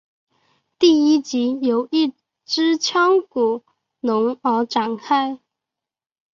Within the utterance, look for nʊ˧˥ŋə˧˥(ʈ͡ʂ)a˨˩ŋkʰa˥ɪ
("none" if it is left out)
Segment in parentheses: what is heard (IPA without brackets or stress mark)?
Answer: ʈ͡ʂ